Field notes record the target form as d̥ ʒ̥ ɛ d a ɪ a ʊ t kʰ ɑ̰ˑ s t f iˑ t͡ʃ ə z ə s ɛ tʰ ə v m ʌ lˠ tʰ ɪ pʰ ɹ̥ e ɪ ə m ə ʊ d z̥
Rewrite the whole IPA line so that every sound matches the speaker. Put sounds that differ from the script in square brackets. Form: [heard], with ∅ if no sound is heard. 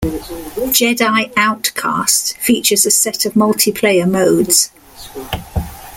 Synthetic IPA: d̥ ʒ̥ ɛ d a ɪ a ʊ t kʰ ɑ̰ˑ s t f iˑ t͡ʃ ə z ə s ɛ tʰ ə v m ʌ lˠ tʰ ɪ pʰ [l̥] e ɪ ə m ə ʊ d z̥